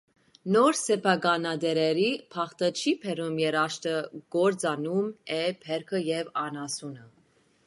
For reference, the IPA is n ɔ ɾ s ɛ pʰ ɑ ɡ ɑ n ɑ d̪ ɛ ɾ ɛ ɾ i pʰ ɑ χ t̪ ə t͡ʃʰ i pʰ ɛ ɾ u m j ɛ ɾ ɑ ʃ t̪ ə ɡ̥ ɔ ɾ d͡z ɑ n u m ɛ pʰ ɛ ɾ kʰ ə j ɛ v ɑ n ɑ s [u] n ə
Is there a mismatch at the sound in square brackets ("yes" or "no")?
no